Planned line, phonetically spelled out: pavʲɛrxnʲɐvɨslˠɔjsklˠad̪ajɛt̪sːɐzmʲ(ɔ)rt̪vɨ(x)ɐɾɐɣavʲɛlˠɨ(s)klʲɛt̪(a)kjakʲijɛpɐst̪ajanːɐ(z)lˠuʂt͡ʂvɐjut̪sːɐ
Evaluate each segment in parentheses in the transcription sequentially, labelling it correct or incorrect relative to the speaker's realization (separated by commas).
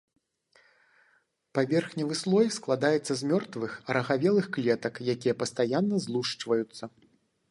correct, correct, incorrect, incorrect, correct